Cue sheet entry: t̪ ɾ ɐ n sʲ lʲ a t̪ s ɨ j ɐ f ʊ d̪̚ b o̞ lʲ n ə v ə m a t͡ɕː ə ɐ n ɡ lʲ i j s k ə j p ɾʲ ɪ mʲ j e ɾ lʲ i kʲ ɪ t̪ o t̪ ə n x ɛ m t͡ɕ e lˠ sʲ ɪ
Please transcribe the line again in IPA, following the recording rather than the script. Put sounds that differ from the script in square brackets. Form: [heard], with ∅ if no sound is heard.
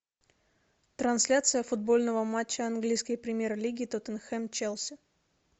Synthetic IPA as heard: t̪ ɾ ɐ n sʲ lʲ a t̪ s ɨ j [ə] f ʊ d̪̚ b o̞ lʲ n ə v ə m a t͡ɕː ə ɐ n ɡ lʲ i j s k ə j p ɾʲ ɪ mʲ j e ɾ lʲ i [ɡʲ] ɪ t̪ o t̪ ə n x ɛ m t͡ɕ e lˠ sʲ ɪ